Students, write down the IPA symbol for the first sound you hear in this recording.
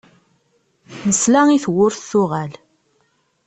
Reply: n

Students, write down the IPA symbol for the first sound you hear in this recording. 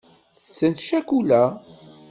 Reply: θ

